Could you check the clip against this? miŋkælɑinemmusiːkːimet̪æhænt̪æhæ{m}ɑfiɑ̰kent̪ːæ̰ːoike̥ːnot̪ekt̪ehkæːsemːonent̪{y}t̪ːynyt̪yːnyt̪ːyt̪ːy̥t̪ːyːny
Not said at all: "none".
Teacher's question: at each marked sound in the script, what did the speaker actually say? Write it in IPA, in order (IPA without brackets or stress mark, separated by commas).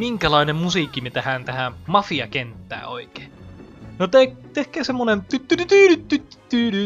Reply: m, y